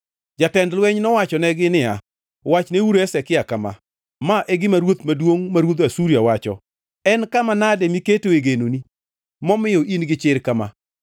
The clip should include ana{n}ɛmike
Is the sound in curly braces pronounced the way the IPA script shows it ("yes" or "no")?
no